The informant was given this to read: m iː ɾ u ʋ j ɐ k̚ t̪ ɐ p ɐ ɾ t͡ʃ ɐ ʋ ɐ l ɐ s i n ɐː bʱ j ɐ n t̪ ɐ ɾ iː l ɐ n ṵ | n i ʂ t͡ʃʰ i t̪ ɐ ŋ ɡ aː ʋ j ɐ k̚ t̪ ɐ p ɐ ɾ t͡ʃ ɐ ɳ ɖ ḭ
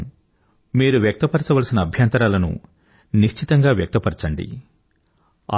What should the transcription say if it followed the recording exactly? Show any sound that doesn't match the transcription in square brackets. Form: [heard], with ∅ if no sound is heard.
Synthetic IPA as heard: m iː ɾ u ʋ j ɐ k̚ t̪ ɐ p ɐ ɾ t͡ʃ ɐ ʋ ɐ l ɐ s i n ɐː bʱ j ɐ n t̪ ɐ ɾ [aː] l ɐ n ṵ | n i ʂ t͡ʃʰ i t̪ ɐ ŋ ɡ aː ʋ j ɐ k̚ t̪ ɐ p ɐ ɾ t͡ʃ ɐ ɳ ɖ ḭ